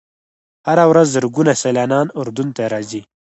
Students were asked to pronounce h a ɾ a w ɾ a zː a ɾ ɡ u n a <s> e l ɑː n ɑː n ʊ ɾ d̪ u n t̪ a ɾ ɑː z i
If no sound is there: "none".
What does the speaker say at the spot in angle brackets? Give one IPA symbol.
s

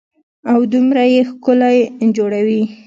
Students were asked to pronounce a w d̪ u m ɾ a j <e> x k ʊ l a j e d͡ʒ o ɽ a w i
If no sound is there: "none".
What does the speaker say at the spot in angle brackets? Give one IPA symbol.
e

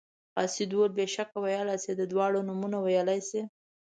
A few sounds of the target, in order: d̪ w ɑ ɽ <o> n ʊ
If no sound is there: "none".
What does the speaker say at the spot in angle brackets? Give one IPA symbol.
o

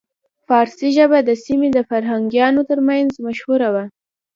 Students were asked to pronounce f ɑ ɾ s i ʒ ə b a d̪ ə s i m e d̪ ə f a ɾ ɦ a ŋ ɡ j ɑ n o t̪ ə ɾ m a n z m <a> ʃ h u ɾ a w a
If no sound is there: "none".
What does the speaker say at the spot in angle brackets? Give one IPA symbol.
a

